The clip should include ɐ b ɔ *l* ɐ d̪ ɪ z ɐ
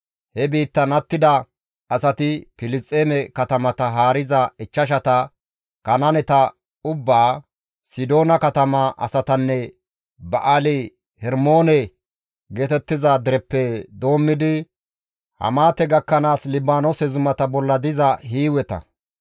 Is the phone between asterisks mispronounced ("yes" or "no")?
yes